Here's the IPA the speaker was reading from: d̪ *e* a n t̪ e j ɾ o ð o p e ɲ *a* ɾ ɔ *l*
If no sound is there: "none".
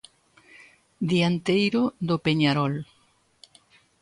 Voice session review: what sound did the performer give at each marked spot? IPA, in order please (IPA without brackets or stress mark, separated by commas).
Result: i, a, l